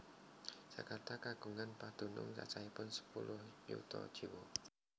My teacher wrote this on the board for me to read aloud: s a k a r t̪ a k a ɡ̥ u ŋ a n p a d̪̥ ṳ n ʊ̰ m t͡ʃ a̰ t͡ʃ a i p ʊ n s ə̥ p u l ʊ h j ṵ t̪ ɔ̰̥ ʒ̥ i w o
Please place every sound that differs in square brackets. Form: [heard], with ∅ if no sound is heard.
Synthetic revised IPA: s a k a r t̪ a k a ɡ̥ u ŋ a n p a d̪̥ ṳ n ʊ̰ [ŋ] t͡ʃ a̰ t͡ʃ a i p ʊ n s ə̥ p u l ʊ h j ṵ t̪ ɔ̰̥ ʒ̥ i w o